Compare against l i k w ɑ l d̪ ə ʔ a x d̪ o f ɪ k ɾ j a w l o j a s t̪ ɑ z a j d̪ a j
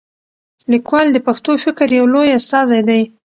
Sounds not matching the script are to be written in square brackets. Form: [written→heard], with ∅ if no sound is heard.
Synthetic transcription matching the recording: l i k w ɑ l d̪ ə [ʔ→p] a x [d̪→t̪] o f ɪ k ɾ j a w l o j a s t̪ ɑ z a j d̪ a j